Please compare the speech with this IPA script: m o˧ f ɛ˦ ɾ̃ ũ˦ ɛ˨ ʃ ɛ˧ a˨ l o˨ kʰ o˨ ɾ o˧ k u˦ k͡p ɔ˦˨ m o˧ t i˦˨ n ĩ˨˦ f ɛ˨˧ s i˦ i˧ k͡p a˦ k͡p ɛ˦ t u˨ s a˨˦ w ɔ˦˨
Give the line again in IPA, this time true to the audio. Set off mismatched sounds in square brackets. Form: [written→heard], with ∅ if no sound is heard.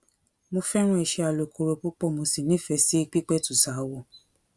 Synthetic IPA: m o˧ f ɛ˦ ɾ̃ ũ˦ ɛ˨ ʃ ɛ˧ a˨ l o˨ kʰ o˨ ɾ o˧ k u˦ k͡p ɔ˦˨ m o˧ [t→s] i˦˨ n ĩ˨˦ f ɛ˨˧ s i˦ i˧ k͡p [a˦→i˦] k͡p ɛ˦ t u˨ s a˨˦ w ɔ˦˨